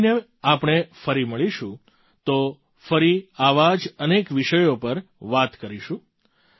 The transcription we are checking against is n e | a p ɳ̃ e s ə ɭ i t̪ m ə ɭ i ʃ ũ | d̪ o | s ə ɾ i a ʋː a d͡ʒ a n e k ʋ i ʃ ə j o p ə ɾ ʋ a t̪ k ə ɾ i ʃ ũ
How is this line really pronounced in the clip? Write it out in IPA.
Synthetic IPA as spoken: n e | a p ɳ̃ e f ə ɾ i m ə ɭ i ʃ ũ | t̪ o | f ə ɾ i a ʋ a d͡ʒ ə n e k ʋ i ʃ ə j o p ə ɾ ʋ a t̪ k ə ɾ i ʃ ũ